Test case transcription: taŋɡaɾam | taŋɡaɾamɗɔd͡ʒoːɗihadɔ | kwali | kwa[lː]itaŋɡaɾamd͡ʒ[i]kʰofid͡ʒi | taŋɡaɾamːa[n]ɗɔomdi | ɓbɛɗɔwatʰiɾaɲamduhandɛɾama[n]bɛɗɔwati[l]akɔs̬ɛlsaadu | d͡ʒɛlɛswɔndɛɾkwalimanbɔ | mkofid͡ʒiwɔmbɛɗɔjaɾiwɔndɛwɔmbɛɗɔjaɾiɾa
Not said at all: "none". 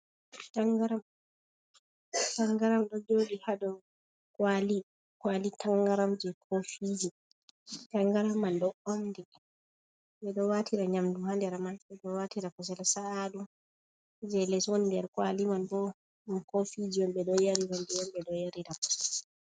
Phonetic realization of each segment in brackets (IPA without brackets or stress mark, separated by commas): l, ɛ, n, n, ɾ